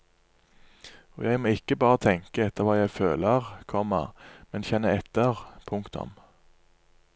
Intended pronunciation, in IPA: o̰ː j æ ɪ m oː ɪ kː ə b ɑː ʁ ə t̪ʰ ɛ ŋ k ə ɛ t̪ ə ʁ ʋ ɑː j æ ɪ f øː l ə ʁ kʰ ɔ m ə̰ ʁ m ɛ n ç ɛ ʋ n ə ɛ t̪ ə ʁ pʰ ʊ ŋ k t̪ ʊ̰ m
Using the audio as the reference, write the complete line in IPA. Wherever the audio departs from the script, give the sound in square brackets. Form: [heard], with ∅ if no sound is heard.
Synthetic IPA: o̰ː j æ ɪ m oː ɪ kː ə b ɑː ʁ ə t̪ʰ ɛ ŋ k ə ɛ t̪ ə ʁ ʋ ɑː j æ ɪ f øː l ə ʁ kʰ ɔ m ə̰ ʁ m ɛ n ç ɛ [∅] n ə ɛ t̪ ə ʁ pʰ ʊ ŋ k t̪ ʊ̰ m